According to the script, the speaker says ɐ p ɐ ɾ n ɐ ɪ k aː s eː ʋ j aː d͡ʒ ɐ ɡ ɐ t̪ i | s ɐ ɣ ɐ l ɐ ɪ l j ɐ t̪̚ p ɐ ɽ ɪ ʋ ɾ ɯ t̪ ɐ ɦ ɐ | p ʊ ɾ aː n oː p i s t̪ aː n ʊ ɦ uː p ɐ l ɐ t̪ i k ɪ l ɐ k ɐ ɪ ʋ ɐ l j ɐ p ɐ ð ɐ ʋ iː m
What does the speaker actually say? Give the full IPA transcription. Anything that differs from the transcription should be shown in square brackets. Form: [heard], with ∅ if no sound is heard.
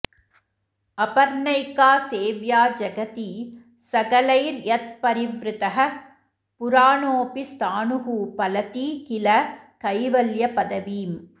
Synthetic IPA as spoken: ɐ p ɐ ɾ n ɐ ɪ k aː s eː ʋ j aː d͡ʒ ɐ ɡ ɐ t̪ i | s ɐ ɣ ɐ l ɐ ɪ [ɾ] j ɐ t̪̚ p ɐ [ɾ] ɪ ʋ ɾ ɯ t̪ ɐ ɦ ɐ | p ʊ ɾ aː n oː p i s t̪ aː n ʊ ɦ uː p ɐ l ɐ t̪ i k ɪ l ɐ k ɐ ɪ ʋ ɐ l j ɐ p ɐ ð ɐ ʋ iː m